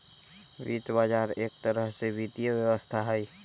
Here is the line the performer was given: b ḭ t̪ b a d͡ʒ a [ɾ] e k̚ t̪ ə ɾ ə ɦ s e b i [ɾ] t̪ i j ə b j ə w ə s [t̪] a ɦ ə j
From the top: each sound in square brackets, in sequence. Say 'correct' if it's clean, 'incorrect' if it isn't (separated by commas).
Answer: correct, incorrect, incorrect